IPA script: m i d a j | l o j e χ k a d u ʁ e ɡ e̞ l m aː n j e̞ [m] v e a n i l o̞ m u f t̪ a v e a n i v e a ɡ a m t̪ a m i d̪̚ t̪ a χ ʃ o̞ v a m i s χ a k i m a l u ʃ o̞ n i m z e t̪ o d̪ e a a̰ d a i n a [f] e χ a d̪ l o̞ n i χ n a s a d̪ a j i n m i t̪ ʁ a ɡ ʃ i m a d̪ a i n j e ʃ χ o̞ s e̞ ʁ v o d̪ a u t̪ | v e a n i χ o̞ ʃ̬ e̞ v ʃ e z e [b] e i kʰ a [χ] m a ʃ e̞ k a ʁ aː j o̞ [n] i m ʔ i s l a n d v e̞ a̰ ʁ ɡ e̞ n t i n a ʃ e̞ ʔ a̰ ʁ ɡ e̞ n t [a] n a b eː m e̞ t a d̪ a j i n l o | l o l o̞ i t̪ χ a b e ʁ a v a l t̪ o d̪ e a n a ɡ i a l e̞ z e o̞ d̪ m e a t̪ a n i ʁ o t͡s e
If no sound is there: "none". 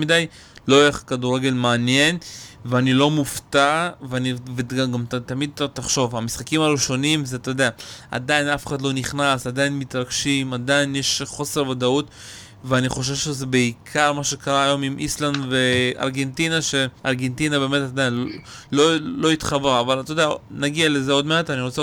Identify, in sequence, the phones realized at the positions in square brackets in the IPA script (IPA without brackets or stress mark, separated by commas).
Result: n, f, b, ʁ, m, i